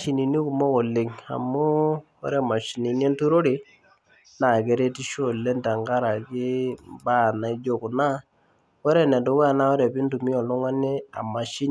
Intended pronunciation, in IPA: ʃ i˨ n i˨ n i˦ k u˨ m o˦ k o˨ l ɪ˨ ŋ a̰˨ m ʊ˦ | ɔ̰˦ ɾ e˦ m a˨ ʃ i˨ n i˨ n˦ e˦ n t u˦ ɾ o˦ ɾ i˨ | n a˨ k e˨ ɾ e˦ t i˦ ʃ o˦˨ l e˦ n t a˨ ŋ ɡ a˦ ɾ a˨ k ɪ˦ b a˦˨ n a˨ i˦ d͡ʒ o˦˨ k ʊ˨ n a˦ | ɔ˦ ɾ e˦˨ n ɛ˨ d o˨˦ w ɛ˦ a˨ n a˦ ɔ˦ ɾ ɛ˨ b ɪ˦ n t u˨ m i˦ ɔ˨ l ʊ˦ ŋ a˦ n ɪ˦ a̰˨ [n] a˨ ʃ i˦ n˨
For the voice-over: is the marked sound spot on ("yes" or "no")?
no